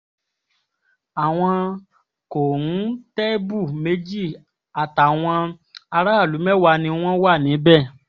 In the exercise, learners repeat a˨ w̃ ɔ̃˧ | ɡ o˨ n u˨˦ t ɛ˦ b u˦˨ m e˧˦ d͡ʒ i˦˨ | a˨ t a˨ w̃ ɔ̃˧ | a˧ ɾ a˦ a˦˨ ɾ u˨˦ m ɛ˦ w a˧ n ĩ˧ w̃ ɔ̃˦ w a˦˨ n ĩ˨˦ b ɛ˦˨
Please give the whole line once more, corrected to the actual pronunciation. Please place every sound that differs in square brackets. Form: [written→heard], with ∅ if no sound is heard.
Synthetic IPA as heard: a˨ w̃ ɔ̃˧ | [ɡ→k] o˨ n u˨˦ t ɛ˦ b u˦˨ m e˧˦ d͡ʒ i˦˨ | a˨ t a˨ w̃ ɔ̃˧ | a˧ ɾ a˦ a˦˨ [ɾ→l] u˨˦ m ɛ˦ w a˧ n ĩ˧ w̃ ɔ̃˦ w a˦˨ n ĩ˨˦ b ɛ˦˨